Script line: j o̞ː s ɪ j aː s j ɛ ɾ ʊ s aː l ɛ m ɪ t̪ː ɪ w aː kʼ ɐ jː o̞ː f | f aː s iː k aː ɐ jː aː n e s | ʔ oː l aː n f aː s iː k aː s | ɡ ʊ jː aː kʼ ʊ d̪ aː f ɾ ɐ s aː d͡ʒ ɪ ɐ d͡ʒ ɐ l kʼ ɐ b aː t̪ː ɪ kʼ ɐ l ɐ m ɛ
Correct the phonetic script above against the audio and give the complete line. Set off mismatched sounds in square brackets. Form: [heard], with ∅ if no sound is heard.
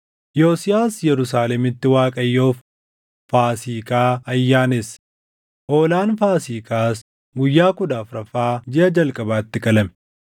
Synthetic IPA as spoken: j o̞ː s ɪ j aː s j ɛ ɾ ʊ s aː l ɛ m ɪ t̪ː ɪ w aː kʼ ɐ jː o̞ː f | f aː s iː k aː ɐ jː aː n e s | ʔ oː l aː n f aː s iː k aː s | ɡ ʊ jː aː [k] ʊ d̪ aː f ɾ ɐ [f] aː d͡ʒ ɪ ɐ d͡ʒ ɐ l kʼ ɐ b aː t̪ː ɪ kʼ ɐ l ɐ m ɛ